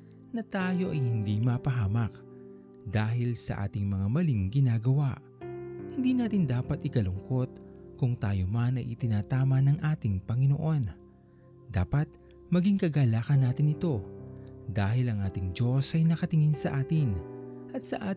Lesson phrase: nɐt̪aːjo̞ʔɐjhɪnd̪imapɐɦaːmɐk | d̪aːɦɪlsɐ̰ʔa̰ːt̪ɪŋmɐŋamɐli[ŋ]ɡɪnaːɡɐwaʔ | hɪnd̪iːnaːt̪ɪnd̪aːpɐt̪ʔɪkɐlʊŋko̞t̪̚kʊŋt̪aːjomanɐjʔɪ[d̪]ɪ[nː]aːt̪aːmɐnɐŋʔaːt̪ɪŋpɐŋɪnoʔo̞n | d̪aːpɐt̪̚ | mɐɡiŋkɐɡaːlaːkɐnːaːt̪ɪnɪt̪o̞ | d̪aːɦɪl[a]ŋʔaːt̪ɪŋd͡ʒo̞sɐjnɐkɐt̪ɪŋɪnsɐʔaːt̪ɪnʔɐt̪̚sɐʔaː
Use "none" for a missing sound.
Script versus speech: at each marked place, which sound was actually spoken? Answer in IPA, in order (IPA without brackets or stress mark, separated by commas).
ŋ, t̪, n, ɐ